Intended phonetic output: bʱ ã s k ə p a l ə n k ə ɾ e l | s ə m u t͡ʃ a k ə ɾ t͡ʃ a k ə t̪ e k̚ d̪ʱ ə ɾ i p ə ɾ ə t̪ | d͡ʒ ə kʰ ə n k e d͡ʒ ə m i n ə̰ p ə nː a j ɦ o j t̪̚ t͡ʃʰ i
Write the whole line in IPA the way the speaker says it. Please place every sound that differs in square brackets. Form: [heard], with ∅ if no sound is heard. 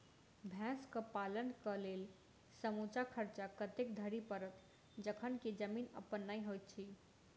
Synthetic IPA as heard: bʱ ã s k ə p a l ə n k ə [l] e l | s ə m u t͡ʃ a [kʰ] ə ɾ t͡ʃ a k ə t̪ e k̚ d̪ʱ ə ɾ i p ə ɾ ə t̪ | d͡ʒ ə kʰ ə n k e d͡ʒ ə m i n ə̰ p ə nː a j ɦ o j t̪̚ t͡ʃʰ i

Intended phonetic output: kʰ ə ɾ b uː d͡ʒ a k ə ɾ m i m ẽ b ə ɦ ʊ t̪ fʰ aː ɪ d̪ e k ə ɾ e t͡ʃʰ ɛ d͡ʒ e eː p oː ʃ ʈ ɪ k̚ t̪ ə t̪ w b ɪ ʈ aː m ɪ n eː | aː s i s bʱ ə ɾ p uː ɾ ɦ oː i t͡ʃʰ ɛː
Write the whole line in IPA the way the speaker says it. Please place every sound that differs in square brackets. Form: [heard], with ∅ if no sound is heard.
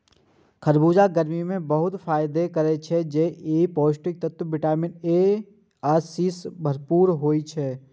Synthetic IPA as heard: kʰ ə ɾ b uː d͡ʒ a [ɡ] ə ɾ m i m ẽ b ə ɦ ʊ t̪ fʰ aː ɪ d̪ e k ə ɾ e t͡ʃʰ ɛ d͡ʒ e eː p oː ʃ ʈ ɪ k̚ t̪ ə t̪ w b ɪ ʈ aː m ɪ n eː | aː s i s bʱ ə ɾ p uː ɾ ɦ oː i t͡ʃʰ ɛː

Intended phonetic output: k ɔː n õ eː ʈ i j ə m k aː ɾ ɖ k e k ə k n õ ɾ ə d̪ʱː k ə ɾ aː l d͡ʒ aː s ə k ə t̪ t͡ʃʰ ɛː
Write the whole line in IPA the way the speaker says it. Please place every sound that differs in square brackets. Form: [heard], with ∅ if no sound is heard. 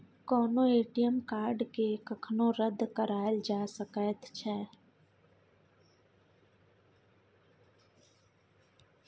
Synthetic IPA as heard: k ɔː n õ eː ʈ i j ə m k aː ɾ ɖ k e k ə [kʰ] n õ ɾ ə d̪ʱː k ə ɾ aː l d͡ʒ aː s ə k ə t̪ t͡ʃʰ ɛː

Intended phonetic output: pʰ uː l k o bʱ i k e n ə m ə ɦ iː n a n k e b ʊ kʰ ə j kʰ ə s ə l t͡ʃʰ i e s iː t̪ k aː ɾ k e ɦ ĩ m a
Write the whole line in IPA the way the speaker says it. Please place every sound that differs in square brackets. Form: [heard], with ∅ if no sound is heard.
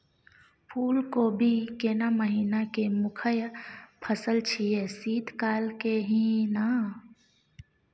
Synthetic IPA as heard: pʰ uː l k o bʱ i k e n [a] m ə ɦ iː n a [∅] k e [m] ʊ kʰ ə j [pʰ] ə s ə l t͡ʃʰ i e s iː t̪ k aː [l] k e ɦ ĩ [n] a

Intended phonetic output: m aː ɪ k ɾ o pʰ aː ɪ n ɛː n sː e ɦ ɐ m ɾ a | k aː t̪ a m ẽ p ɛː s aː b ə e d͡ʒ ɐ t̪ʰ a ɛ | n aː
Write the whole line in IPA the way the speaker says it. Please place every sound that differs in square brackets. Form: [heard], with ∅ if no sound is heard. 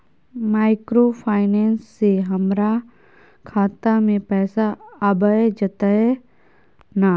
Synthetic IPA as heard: m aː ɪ k ɾ o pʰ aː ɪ n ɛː n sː e ɦ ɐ m ɾ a | [kʰ] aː t̪ a m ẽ p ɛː s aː b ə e d͡ʒ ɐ [t̪] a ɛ | n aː

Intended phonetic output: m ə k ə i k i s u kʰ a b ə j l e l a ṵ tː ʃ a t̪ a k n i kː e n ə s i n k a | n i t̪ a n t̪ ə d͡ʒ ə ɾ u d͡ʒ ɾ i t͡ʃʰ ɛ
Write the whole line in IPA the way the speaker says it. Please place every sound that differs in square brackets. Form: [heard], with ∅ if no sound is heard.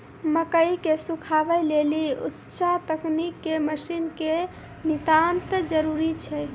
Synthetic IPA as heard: m ə k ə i k [e] s u kʰ a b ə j l e l [i] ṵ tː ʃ a t̪ [ə] k n i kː e [m] ə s i n k [e] | n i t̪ a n t̪ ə d͡ʒ ə ɾ u [∅] ɾ i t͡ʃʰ ɛ

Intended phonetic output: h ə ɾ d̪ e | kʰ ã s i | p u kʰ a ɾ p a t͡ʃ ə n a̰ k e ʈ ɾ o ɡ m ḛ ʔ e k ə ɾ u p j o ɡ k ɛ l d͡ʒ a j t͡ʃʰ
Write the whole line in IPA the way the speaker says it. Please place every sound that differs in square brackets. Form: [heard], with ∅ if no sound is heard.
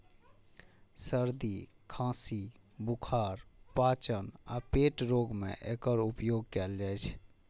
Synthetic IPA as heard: [s] ə ɾ d̪ [i] | kʰ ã s i | [b] u kʰ a ɾ p a t͡ʃ ə n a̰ [p] e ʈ ɾ o ɡ m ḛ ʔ e k ə ɾ u p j o ɡ k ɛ l d͡ʒ a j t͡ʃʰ

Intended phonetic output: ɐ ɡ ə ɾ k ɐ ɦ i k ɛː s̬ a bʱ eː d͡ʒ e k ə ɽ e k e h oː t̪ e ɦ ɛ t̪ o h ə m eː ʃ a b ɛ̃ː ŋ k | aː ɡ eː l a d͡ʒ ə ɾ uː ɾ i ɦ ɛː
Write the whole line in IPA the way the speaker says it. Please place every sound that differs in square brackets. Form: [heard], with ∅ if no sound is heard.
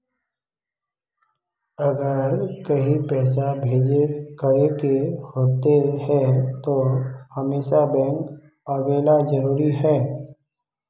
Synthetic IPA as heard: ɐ ɡ ə ɾ k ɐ ɦ i [p] ɛː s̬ a bʱ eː d͡ʒ e k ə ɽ e k e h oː t̪ e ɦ ɛ t̪ o h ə m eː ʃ a b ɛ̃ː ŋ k | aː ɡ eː l a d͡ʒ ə ɾ uː ɾ i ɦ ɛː

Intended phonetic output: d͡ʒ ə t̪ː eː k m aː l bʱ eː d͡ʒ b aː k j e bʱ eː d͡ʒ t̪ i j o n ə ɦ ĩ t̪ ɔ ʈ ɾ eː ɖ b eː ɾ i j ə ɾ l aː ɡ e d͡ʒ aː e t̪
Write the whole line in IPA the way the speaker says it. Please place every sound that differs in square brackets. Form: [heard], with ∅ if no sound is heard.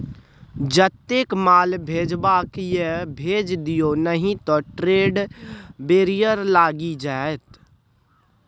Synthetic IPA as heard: d͡ʒ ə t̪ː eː k m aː l bʱ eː d͡ʒ b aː k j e bʱ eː d͡ʒ [d̪] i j o n ə ɦ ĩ t̪ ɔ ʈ ɾ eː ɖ b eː ɾ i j ə ɾ l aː ɡ [i] d͡ʒ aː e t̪

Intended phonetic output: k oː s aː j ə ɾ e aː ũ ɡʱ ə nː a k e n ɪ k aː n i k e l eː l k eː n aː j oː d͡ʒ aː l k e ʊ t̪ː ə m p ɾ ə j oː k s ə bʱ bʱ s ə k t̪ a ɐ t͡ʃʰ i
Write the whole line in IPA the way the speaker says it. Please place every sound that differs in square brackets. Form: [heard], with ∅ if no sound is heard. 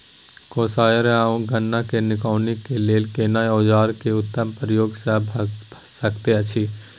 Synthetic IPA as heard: k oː s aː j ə ɾ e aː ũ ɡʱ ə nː a k e n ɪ k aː n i k e l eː l k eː n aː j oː d͡ʒ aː [ɾ] k e ʊ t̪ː ə m p ɾ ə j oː [ɡ] s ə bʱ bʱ s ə k t̪ [e] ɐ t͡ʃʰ i

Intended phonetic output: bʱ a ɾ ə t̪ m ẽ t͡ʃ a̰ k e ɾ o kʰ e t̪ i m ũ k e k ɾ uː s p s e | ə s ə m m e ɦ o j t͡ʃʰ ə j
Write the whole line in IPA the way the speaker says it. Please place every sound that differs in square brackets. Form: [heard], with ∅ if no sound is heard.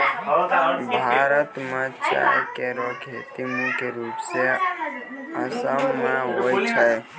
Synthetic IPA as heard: bʱ a ɾ ə t̪ m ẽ t͡ʃ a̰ k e ɾ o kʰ e t̪ i m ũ k e [∅] ɾ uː [∅] p s e | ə s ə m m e ɦ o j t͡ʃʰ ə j

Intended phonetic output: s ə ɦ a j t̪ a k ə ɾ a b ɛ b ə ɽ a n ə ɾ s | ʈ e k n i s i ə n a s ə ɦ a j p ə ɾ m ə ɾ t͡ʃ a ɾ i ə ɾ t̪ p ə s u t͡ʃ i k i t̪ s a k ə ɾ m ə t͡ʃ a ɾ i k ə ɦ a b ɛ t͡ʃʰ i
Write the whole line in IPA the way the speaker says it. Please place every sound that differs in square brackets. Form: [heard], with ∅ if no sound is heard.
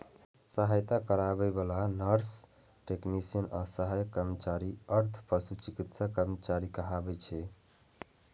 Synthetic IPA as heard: s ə ɦ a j t̪ a k ə ɾ a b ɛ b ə [l] a n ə ɾ s | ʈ e k n i s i ə n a s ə ɦ a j [k] ə ɾ m ə [∅] t͡ʃ a ɾ i ə ɾ [t̪ʰ] p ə s u t͡ʃ i k i t̪ s a k ə ɾ m ə t͡ʃ a ɾ i k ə ɦ a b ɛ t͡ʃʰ [ɛ]

